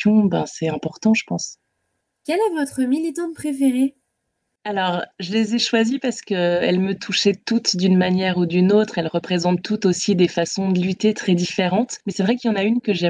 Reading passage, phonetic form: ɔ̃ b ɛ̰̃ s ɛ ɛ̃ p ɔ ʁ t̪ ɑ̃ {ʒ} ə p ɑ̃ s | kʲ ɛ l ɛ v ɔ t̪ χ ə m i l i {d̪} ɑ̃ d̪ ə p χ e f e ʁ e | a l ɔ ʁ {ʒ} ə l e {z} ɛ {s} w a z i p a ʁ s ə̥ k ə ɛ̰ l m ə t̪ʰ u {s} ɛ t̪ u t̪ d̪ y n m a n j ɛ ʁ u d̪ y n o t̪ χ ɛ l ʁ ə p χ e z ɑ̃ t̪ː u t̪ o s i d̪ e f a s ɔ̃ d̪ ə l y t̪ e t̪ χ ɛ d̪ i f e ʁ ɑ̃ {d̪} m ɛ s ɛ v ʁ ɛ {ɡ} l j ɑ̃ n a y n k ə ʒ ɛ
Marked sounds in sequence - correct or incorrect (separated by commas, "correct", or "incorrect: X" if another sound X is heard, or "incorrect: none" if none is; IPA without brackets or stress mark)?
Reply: correct, incorrect: t̪, correct, correct, incorrect: ʃ, incorrect: ʃ, incorrect: t̪, incorrect: k